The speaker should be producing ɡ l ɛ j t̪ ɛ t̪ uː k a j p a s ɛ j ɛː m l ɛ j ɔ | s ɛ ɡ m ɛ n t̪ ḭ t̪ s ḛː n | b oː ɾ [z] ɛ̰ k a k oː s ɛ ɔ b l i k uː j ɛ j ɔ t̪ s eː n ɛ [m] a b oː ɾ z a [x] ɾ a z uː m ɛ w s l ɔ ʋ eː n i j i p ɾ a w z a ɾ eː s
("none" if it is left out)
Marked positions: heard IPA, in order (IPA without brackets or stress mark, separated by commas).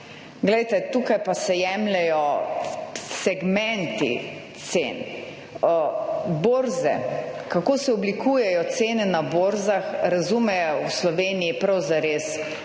z, n, x